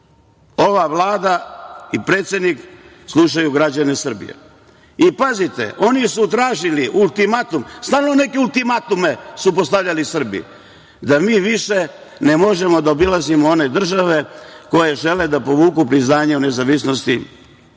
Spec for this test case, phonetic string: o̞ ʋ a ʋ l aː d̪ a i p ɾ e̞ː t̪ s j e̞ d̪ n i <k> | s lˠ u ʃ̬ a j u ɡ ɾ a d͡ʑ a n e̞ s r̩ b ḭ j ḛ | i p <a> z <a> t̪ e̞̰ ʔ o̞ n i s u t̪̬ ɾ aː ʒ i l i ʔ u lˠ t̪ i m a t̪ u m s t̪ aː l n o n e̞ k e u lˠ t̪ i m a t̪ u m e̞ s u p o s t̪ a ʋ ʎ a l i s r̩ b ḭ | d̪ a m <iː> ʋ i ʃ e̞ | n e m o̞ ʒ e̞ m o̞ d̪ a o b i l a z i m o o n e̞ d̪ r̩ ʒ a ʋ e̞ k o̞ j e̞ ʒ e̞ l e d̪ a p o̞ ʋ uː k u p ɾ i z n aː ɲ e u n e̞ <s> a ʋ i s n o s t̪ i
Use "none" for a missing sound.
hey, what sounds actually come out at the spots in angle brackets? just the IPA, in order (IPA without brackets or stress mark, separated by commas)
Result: k, a, i, iː, z